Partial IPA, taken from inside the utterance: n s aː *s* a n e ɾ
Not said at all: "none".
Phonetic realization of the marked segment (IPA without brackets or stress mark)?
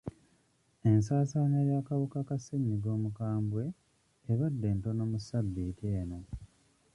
s